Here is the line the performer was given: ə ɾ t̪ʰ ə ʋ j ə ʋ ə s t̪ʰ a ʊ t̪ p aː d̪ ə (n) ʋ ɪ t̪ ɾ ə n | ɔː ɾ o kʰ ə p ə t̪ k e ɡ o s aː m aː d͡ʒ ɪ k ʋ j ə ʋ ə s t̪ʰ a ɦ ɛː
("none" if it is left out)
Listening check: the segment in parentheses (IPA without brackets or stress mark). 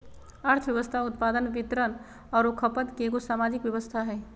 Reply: n